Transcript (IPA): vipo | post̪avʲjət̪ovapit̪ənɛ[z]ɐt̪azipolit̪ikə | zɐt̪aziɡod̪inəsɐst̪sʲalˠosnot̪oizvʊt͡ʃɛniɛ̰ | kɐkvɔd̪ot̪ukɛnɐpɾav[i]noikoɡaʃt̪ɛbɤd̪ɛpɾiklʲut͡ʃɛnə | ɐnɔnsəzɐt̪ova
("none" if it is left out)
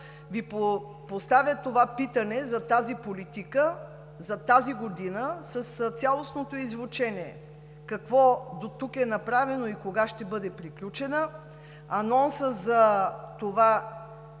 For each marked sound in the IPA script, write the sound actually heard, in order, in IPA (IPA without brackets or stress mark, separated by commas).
z, ɛ